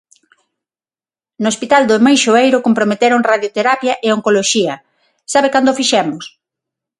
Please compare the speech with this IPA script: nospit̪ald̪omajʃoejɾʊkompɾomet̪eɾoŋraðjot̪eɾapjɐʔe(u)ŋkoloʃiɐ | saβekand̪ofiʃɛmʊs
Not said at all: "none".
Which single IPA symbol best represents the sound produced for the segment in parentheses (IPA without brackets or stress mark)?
o